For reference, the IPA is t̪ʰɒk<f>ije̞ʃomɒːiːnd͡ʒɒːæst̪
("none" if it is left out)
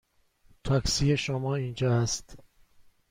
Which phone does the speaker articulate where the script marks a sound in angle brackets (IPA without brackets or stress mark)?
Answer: s